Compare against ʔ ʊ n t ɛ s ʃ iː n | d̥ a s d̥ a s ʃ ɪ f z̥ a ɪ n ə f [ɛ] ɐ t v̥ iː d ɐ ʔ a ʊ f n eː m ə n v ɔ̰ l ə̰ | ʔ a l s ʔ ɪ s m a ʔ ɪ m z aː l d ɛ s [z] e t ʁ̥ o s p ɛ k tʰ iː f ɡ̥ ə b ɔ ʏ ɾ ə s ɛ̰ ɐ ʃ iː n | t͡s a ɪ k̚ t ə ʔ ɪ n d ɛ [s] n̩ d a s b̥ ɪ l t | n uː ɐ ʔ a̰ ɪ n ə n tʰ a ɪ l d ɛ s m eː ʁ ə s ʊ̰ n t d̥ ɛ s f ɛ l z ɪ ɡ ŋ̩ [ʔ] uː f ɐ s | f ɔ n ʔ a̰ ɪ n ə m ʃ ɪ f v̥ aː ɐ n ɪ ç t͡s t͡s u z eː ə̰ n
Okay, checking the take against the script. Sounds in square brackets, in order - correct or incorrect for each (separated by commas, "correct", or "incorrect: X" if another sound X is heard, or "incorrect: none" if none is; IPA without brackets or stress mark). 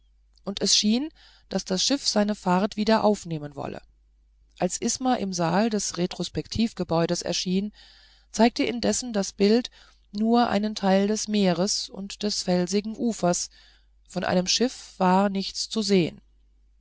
incorrect: a, incorrect: ʁ, correct, correct